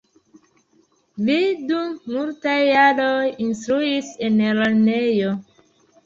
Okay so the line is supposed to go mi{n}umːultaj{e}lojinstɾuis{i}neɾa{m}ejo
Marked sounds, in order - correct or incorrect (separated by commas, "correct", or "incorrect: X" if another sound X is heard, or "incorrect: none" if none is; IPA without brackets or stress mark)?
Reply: incorrect: d, incorrect: a, incorrect: e, incorrect: n